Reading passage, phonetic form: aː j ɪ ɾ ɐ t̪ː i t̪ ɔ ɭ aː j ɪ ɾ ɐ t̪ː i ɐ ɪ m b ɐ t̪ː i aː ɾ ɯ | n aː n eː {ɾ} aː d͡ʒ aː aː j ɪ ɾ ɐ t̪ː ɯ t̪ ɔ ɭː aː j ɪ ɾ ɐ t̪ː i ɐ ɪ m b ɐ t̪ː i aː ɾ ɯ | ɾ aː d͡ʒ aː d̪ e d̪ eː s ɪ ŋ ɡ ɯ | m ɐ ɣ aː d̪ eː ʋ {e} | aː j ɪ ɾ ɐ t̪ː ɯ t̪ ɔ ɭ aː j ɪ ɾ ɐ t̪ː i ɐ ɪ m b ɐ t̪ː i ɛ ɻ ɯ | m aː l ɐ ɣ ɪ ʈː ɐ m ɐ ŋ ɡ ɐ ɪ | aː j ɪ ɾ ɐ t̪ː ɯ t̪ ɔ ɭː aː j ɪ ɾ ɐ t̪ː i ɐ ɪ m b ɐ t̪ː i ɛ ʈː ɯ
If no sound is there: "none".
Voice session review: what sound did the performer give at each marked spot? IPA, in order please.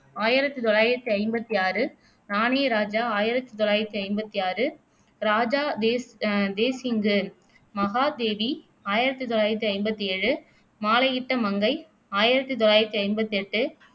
ɾ, i

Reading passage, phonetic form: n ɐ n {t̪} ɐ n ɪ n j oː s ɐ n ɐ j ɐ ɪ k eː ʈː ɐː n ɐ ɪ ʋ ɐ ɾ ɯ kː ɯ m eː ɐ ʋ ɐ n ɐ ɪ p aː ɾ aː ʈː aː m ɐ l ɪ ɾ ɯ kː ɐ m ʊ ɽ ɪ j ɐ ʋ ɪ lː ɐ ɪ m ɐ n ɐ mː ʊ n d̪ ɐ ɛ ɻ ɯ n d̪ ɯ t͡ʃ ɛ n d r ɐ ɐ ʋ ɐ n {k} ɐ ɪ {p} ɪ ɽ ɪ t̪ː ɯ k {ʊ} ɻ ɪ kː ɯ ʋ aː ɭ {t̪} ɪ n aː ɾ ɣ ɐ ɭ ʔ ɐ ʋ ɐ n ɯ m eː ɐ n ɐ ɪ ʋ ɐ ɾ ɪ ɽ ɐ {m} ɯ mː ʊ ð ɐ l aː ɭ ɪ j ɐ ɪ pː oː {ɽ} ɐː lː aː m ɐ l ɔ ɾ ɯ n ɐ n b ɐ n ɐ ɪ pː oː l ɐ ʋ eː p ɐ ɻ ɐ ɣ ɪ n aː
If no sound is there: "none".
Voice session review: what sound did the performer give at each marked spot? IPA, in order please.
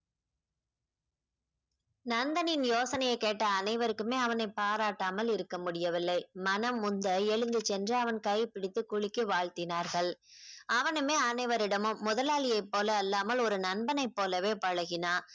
d̪, k, p, ʊ, t̪, m, l

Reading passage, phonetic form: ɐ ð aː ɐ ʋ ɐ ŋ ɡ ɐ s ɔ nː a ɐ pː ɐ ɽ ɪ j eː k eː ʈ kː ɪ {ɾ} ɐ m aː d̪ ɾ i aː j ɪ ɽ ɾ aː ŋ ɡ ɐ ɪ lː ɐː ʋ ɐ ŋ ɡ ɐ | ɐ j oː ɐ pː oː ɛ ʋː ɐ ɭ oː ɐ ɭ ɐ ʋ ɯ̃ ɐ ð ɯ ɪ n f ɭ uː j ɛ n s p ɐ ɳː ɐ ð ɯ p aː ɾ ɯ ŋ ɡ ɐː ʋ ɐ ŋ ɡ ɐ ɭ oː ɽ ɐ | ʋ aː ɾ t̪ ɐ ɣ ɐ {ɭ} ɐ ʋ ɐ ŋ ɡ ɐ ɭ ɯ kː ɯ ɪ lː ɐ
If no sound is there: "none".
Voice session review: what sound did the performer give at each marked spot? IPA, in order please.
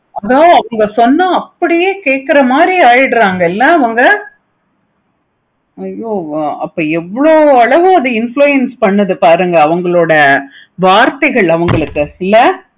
ɾ, ɭ

